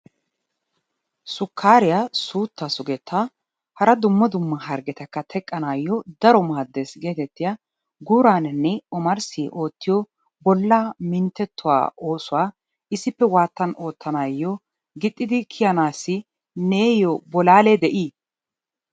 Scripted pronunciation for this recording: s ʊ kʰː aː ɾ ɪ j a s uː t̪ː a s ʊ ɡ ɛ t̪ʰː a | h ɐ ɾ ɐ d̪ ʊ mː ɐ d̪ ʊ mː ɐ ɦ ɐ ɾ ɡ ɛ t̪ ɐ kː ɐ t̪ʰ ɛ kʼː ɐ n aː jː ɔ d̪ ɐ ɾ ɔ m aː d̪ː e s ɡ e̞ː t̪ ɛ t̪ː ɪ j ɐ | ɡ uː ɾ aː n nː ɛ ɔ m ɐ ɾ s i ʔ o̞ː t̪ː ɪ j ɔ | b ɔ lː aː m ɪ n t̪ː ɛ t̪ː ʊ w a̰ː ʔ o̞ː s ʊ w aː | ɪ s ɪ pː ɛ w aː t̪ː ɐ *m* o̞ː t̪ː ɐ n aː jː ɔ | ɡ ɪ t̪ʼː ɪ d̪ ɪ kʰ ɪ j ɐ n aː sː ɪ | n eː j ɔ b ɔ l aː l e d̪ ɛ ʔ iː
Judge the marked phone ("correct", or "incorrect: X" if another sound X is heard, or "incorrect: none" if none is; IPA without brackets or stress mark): incorrect: n